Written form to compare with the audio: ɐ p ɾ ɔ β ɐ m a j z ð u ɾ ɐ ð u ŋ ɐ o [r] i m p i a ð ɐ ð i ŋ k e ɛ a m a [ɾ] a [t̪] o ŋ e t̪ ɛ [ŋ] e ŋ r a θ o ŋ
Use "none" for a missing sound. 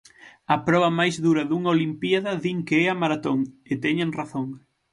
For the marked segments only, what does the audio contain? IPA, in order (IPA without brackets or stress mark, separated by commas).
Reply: l, ɾ, t̪, ɲ